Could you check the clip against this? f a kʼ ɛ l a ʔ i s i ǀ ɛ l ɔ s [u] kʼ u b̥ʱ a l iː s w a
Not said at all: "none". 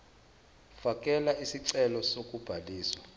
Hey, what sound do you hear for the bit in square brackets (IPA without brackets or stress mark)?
o